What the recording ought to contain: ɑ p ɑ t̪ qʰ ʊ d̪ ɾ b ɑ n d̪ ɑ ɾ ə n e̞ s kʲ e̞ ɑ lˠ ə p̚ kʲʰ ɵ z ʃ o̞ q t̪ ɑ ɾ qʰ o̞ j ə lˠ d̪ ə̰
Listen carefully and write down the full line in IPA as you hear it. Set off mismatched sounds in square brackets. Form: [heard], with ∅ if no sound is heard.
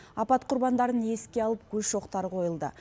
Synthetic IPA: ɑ p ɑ t̪ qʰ ʊ [∅] ɾ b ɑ n d̪ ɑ ɾ ə n e̞ s kʲ e̞ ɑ lˠ ə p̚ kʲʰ ɵ z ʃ o̞ q t̪ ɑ ɾ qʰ o̞ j ə lˠ d̪ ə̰